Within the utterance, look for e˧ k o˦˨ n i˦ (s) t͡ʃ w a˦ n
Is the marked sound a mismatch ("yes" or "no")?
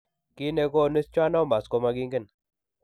no